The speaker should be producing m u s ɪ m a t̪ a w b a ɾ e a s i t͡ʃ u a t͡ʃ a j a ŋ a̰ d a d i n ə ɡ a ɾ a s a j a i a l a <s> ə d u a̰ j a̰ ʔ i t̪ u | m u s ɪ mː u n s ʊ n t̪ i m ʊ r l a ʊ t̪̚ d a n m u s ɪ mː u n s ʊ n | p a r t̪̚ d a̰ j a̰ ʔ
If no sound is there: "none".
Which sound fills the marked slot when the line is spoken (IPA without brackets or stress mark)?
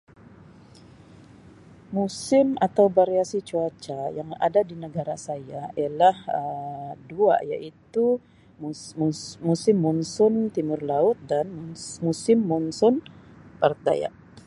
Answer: h